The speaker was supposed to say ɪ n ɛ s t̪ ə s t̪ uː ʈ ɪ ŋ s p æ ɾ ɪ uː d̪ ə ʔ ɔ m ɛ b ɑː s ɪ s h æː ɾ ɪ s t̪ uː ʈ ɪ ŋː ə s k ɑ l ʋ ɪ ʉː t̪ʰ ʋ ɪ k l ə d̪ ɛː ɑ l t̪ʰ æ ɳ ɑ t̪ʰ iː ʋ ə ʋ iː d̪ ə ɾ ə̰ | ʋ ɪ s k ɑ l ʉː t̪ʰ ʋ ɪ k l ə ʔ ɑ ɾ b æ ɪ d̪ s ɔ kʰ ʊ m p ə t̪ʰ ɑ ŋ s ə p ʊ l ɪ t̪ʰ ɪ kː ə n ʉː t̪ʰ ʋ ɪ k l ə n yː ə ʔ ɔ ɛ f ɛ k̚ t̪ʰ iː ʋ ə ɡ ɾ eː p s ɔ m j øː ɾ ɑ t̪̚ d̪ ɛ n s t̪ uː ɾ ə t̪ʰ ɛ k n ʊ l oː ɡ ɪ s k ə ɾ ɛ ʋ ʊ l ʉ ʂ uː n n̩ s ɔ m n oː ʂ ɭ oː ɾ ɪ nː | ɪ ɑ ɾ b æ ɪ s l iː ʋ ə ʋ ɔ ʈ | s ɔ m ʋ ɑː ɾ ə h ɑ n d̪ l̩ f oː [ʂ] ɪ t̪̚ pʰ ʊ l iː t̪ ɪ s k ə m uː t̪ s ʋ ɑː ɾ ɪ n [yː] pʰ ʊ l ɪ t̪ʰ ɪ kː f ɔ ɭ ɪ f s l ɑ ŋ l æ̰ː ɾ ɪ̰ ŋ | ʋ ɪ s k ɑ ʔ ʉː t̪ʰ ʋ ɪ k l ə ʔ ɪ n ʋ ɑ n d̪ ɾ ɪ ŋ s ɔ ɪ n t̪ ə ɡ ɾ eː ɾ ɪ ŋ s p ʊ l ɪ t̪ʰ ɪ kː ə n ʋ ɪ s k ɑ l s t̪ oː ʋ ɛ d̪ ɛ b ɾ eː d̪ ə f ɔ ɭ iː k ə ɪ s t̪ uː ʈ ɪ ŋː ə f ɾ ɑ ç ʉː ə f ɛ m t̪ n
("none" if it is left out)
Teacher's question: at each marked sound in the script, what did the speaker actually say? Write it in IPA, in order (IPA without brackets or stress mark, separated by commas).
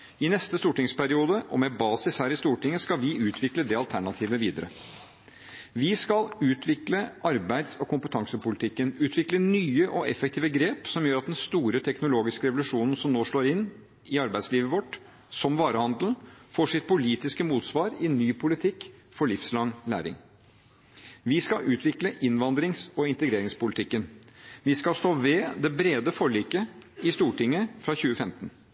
ʂ, yː